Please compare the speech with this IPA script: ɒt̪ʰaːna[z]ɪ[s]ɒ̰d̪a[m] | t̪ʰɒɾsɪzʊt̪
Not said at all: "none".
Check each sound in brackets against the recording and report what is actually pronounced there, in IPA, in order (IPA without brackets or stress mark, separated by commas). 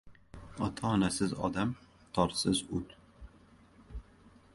s, z, m